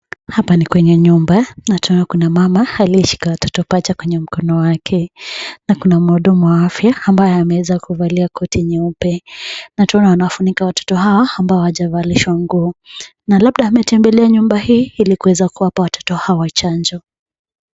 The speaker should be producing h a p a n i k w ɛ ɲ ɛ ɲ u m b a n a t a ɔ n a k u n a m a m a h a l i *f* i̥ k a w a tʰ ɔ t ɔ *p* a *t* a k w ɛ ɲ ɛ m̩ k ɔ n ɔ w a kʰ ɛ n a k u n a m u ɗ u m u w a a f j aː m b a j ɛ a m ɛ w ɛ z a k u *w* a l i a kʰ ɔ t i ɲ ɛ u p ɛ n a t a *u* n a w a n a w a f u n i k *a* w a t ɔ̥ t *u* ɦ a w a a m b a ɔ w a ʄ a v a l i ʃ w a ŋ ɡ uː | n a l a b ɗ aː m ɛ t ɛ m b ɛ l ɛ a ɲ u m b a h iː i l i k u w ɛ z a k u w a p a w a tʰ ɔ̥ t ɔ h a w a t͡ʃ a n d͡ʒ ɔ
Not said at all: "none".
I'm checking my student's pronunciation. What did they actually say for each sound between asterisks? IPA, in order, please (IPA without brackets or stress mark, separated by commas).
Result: ʃ, p, t͡ʃ, v, ɔ, a, ɔ